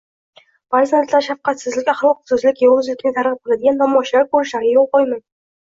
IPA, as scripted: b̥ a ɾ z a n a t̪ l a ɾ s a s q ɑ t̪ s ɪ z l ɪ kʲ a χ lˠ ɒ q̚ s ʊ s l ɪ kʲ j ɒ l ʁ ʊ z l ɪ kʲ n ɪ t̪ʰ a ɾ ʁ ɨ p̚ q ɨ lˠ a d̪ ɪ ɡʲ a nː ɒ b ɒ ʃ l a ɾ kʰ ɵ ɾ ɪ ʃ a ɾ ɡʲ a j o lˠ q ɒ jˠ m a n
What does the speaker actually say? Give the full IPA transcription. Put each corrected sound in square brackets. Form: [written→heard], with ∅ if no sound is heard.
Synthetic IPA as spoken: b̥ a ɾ z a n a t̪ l a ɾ [s→ʃ] a [s→f] q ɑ t̪ s ɪ z l ɪ kʲ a χ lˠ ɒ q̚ s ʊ [s→z] l ɪ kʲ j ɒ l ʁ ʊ z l ɪ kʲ n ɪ t̪ʰ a ɾ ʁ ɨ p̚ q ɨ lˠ a d̪ ɪ ɡʲ a nː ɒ [b→m] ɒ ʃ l a ɾ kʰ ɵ ɾ ɪ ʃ a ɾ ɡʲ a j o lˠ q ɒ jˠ m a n